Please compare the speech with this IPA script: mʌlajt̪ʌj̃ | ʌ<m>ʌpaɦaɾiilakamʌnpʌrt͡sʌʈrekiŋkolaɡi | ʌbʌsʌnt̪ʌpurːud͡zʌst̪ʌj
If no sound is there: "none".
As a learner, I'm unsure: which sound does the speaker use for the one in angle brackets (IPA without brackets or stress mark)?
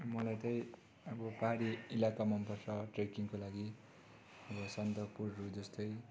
b